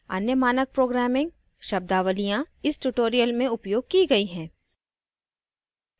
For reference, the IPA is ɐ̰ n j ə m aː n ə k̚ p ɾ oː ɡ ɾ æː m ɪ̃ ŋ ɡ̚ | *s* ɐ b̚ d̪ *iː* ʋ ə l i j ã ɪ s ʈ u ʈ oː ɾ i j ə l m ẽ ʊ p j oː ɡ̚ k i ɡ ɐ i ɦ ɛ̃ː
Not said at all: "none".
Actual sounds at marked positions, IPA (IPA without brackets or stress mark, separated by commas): ʃ, aː